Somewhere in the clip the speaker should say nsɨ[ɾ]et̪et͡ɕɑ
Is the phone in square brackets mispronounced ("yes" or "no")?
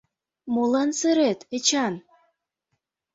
no